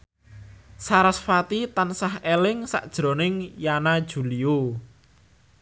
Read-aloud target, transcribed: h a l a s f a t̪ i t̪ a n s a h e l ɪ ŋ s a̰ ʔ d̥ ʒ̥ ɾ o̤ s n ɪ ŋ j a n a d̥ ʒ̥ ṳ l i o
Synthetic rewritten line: s a ɾ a s f a t̪ i t̪ a n s a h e l ɪ ŋ s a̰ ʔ d̥ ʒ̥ ɾ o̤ n ɪ ŋ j a n a d̥ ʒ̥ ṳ l i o